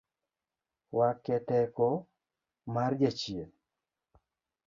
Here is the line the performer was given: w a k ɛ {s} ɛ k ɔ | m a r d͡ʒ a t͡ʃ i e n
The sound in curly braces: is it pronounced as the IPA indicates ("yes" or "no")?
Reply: no